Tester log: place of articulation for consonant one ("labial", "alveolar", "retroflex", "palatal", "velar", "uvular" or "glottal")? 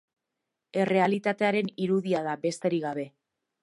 alveolar